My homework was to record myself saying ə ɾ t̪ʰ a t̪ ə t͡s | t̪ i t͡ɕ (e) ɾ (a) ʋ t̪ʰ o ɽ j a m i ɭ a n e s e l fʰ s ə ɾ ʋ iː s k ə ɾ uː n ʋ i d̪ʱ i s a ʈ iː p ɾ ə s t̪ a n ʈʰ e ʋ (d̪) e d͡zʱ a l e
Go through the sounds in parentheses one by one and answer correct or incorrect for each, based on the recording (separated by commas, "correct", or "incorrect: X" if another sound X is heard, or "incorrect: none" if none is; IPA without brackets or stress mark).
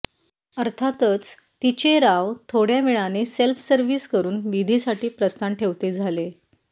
correct, correct, incorrect: t̪